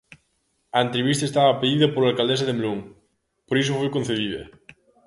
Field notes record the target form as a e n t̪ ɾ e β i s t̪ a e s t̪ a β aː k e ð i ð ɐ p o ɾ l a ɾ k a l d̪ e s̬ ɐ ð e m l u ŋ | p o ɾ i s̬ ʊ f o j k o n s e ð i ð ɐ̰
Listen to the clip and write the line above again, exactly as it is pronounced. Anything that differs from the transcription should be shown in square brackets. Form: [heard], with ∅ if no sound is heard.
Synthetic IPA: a e n t̪ ɾ e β i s t̪ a e s t̪ a β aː [p] e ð i ð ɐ p o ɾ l a [l] k a l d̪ e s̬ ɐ ð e m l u ŋ | p o ɾ i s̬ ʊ f o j k o n [θ] e ð i ð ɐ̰